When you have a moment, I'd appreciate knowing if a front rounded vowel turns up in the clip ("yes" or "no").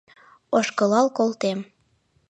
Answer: no